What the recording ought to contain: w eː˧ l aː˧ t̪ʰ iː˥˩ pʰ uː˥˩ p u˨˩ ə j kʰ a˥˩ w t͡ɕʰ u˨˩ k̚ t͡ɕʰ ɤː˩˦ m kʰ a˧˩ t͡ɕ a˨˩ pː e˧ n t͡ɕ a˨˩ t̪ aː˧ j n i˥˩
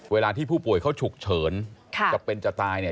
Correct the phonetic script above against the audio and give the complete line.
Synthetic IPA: w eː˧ l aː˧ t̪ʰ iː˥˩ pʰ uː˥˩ p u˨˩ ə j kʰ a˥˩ w t͡ɕʰ u˨˩ k̚ t͡ɕʰ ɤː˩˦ n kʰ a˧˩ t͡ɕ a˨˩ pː e˧ n t͡ɕ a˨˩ t̪ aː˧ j n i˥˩